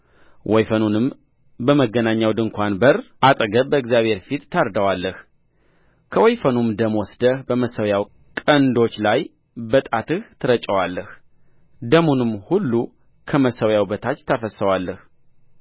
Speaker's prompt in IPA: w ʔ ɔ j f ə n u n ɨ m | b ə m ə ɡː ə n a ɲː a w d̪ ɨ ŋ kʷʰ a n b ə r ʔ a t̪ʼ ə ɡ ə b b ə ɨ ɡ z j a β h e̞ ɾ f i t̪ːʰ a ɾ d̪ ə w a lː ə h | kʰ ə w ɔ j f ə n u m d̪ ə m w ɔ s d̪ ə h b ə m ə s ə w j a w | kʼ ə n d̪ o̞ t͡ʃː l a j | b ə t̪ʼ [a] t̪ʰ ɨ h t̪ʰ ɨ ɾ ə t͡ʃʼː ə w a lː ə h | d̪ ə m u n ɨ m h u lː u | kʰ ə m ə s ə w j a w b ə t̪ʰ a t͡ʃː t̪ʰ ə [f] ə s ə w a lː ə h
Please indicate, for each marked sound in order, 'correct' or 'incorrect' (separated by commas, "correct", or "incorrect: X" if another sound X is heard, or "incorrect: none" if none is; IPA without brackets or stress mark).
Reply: correct, correct